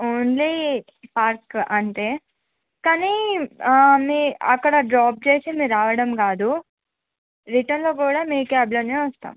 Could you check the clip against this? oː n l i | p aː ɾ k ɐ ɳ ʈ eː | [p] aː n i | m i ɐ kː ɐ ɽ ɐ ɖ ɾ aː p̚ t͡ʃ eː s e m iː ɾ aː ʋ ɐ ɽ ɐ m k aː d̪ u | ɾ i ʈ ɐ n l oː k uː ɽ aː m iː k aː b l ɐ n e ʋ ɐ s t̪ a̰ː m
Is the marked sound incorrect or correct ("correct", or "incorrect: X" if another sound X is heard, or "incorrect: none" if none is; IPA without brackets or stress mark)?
incorrect: k